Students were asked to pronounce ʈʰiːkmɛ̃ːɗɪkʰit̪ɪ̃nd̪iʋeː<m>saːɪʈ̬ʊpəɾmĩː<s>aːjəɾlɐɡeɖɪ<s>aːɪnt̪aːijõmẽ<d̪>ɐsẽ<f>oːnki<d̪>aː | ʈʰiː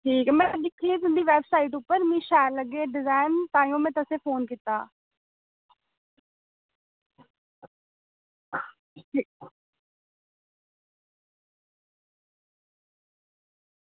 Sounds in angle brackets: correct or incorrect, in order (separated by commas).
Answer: incorrect, incorrect, incorrect, incorrect, correct, incorrect